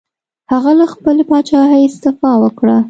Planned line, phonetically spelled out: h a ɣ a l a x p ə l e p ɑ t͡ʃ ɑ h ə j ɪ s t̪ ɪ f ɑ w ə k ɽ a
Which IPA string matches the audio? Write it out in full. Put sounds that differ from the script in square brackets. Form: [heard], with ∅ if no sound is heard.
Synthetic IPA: h a ɣ a l a x p ə l e p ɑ t͡ʃ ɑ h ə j ɪ s t̪ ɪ f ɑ w ə k ɽ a